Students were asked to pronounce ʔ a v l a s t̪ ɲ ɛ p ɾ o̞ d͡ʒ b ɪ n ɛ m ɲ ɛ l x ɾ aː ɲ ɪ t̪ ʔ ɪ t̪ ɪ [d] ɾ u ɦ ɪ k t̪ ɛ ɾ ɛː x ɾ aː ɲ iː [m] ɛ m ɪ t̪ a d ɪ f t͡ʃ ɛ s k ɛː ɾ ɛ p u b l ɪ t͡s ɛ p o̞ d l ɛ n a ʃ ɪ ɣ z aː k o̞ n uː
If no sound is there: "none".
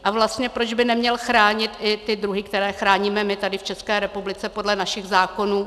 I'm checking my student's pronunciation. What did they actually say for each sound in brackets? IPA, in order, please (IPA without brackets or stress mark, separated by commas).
d, m